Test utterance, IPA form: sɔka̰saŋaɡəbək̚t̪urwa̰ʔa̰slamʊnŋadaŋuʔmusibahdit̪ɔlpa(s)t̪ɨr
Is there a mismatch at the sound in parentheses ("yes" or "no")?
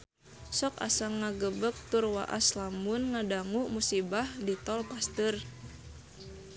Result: no